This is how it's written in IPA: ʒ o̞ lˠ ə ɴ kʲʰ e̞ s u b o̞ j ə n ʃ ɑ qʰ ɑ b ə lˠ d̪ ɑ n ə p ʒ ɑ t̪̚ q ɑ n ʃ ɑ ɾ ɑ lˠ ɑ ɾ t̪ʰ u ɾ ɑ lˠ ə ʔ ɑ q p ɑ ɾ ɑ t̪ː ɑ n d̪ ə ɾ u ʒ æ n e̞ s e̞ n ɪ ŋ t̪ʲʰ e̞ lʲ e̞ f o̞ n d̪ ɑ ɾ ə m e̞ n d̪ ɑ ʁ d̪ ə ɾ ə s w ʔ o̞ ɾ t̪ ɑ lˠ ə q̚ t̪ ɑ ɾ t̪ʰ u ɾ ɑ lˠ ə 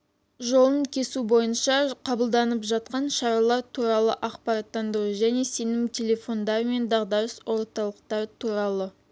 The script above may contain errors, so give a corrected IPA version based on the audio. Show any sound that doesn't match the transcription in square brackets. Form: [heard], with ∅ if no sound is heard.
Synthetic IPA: ʒ o̞ lˠ ə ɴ kʲʰ e̞ s u b o̞ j ə n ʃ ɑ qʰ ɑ b ə lˠ d̪ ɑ n ə p ʒ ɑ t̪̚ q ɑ n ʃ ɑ ɾ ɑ lˠ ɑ ɾ t̪ʰ u ɾ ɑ lˠ ə ʔ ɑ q p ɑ ɾ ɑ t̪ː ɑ n d̪ ə ɾ u ʒ æ n e̞ s e̞ n ɪ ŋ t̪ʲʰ e̞ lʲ e̞ f o̞ n d̪ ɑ ɾ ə m e̞ n d̪ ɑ ʁ d̪ [ɑ] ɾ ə s w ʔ o̞ ɾ t̪ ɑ lˠ ə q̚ t̪ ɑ ɾ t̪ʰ u ɾ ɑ lˠ ə